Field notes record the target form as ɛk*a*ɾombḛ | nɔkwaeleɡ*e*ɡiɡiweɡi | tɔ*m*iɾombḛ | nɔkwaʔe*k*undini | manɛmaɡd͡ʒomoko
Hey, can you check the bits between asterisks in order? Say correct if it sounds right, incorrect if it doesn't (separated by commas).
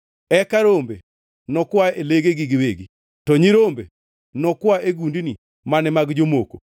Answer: correct, correct, incorrect, incorrect